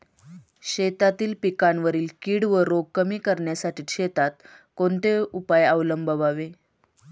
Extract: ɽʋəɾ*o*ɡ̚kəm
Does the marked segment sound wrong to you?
no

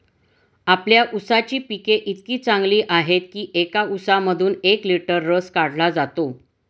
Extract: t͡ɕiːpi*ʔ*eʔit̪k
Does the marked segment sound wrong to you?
yes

